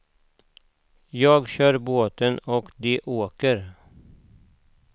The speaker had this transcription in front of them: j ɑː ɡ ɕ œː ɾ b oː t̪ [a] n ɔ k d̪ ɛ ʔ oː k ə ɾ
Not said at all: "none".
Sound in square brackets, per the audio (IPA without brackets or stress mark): ə